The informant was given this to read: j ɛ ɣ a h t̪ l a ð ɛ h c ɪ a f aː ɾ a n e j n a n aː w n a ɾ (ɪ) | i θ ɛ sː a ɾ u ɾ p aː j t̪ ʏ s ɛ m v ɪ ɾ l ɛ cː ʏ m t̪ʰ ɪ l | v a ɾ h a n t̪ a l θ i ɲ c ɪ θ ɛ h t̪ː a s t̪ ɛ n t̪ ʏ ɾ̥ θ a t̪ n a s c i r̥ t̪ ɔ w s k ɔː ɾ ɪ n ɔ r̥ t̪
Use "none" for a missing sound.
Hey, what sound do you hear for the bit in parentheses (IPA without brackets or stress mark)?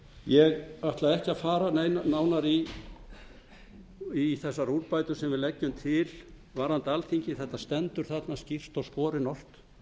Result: i